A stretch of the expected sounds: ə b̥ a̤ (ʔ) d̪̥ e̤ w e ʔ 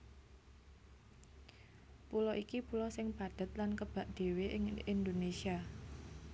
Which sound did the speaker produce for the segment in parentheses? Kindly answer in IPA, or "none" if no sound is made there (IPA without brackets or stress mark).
ʔ